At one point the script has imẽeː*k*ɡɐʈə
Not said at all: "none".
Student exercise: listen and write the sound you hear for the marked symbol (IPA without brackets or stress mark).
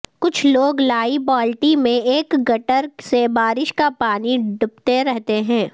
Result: k